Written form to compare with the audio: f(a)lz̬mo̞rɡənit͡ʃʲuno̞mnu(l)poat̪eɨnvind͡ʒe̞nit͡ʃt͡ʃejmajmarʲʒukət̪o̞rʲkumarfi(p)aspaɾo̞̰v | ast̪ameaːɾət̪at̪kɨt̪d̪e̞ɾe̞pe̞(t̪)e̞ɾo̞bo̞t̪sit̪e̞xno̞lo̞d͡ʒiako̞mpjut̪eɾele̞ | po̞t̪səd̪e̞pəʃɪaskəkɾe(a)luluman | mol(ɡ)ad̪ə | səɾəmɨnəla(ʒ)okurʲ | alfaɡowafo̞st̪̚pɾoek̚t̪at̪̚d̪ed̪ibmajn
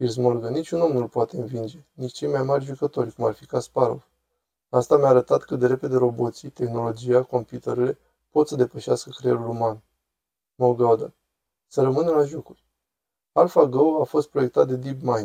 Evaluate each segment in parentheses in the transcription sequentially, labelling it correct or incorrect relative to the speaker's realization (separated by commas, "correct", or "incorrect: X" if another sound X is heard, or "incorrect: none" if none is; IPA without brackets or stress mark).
incorrect: i, correct, incorrect: k, incorrect: d̪, incorrect: e, correct, correct